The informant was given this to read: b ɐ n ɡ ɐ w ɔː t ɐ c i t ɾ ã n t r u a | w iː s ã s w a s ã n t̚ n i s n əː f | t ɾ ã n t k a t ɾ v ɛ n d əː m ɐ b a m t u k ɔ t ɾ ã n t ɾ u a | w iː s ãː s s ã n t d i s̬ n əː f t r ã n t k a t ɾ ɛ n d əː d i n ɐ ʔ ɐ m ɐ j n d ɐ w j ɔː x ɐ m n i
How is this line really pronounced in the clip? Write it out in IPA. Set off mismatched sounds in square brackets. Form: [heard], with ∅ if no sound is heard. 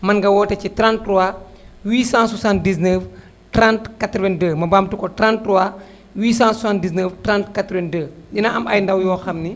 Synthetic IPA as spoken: [m] ɐ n ɡ ɐ w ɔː t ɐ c i t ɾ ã n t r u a | w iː s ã s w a s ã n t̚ [d] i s n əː f | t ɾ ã n t k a t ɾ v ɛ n d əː m ɐ b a m t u k ɔ t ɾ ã n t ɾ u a | w iː s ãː s s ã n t d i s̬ n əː f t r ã n t k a t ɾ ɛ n d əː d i n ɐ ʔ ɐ m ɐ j n d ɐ w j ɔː x ɐ m n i